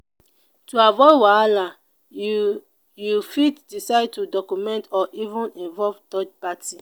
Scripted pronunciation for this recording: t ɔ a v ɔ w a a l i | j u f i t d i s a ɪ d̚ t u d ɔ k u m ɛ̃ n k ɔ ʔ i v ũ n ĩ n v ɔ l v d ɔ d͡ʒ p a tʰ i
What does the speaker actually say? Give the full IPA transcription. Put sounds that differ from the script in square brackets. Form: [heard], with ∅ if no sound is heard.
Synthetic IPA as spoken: t [u] a v ɔ w a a l [a] | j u f i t d i s a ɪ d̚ t u d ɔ k u m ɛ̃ n [t] ɔ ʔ i v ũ n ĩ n v ɔ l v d ɔ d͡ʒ p a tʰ i